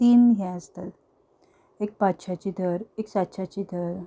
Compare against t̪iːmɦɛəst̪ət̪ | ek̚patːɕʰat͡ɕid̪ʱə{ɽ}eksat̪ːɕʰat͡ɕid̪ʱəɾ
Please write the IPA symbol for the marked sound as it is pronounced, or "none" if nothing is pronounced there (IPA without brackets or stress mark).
ɾ